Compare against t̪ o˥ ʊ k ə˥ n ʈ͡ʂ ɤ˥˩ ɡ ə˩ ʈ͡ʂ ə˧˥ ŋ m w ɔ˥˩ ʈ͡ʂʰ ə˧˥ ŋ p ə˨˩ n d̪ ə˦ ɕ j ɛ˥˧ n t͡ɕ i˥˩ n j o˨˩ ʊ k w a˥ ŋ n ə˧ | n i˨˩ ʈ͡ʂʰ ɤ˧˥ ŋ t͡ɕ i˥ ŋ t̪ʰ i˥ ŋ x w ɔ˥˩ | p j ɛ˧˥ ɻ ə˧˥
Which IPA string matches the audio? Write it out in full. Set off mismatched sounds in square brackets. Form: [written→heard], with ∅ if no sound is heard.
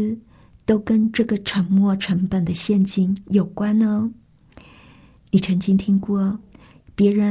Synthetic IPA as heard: t̪ o˥ ʊ k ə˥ n ʈ͡ʂ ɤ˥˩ ɡ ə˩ [ʈ͡ʂ→ʈ͡ʂʰ] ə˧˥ ŋ m w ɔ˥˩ ʈ͡ʂʰ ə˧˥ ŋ p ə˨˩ n d̪ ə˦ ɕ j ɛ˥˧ n t͡ɕ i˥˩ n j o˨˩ ʊ k w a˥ [ŋ→n] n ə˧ | n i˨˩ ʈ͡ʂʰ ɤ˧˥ ŋ t͡ɕ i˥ ŋ t̪ʰ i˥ ŋ [x→k] w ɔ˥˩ | p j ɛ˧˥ ɻ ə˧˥